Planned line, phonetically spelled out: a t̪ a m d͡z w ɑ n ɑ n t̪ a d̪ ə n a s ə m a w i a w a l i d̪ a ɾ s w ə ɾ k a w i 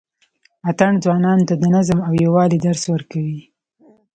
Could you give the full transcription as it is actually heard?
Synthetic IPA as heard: a t̪ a ɳ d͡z w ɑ n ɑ n t̪ a d̪ ə n a z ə m a w j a w ɑ l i d̪ a ɾ s w ə ɾ k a w i